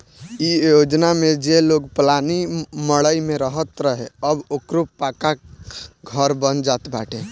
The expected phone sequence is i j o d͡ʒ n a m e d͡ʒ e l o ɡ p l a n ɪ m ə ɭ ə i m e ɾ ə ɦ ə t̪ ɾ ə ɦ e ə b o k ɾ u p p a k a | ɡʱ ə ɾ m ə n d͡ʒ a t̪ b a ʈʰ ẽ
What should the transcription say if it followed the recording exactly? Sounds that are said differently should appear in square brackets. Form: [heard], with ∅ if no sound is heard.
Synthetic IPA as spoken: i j o d͡ʒ n a m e d͡ʒ e l o ɡ p l a n [i] m ə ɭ ə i m e ɾ ə ɦ ə t̪ ɾ ə ɦ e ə b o k ɾ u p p a k a | ɡʱ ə ɾ [b] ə n d͡ʒ a t̪ b a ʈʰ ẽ